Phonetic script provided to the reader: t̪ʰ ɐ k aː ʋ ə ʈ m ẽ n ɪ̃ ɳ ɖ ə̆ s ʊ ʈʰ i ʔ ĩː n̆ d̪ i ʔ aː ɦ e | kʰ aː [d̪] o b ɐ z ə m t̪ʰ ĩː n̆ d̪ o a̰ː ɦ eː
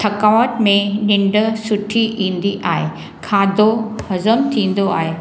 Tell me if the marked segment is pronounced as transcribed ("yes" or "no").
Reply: yes